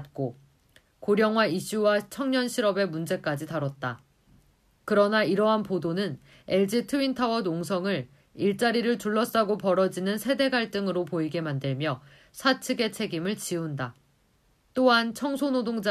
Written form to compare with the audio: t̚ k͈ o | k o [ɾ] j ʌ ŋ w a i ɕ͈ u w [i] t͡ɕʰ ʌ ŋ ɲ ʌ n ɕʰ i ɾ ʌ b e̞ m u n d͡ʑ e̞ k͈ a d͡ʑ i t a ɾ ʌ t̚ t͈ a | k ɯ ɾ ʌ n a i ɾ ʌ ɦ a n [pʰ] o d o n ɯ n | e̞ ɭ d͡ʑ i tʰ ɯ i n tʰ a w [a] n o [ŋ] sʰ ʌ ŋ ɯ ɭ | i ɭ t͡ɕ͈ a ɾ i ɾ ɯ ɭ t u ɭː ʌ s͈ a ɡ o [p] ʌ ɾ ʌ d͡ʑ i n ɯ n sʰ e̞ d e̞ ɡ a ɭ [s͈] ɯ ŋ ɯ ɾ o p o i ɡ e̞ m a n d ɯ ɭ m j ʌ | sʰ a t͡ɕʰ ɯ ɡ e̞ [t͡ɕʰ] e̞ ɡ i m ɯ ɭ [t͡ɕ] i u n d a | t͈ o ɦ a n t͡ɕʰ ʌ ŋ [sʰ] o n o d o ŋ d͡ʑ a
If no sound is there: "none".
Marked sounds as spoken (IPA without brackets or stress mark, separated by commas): ɾ, a, p, ʌ, ŋ, p, t͈, t͡ɕʰ, t͡ɕ, sʰ